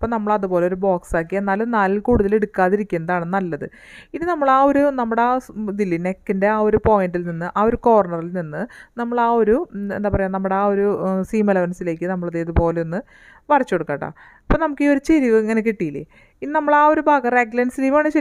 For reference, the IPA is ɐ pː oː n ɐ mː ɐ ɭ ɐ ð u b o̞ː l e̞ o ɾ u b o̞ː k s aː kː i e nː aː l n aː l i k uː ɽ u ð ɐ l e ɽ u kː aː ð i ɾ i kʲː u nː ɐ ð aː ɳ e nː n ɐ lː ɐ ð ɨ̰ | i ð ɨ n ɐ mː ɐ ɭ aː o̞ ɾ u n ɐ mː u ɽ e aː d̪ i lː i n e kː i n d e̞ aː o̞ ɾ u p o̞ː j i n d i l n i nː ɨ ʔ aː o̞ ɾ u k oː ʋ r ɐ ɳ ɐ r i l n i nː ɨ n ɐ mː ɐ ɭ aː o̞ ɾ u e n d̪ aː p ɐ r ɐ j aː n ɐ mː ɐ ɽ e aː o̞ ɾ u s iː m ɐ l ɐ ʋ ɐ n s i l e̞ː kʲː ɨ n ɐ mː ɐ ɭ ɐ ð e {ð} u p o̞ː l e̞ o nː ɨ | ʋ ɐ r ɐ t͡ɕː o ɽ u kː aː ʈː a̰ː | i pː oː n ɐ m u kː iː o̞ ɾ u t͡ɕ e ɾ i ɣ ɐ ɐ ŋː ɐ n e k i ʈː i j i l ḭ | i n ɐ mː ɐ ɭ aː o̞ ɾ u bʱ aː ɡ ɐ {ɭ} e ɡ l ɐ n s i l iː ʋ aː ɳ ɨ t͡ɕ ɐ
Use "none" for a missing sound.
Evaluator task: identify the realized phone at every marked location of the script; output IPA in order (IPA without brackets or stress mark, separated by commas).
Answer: ð, r